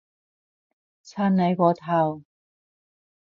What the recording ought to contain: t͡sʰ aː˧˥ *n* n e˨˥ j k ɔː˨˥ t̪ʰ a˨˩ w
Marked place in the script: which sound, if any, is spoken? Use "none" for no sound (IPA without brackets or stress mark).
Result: n